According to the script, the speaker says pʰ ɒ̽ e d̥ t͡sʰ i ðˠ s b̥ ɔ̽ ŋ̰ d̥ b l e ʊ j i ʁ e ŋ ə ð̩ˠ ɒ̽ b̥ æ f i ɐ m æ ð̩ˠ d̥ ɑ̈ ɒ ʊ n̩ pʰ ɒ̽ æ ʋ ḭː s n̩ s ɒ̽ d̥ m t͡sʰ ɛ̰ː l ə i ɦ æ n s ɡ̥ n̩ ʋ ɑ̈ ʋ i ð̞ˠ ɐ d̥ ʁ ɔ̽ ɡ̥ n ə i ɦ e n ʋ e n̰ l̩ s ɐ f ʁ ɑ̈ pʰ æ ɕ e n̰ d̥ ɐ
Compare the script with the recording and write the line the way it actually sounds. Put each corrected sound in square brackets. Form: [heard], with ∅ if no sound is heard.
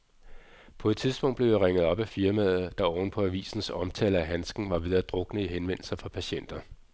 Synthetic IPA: pʰ ɒ̽ e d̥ t͡sʰ i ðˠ s b̥ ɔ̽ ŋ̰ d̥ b l e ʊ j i ʁ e ŋ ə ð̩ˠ ɒ̽ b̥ æ f i ɐ m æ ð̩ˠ d̥ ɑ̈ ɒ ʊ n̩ pʰ ɒ̽ æ ʋ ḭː s n̩ s ɒ̽ [∅] m t͡sʰ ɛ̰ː l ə [æ] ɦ æ n s ɡ̥ n̩ ʋ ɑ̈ ʋ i ð̞ˠ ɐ d̥ ʁ ɔ̽ ɡ̥ n ə i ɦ e n ʋ e n̰ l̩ s ɐ f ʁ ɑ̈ pʰ æ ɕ e n̰ d̥ ɐ